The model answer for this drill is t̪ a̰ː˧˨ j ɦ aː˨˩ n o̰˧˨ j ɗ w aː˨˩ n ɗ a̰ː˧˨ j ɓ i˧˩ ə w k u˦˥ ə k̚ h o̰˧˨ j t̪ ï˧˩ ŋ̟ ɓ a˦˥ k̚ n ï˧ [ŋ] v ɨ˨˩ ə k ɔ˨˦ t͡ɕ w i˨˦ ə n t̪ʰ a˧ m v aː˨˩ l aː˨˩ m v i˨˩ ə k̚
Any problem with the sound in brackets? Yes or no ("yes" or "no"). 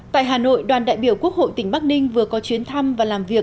no